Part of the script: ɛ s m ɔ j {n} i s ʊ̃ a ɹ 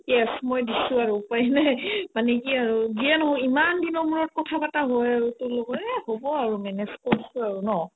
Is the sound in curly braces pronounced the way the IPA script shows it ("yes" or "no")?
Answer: no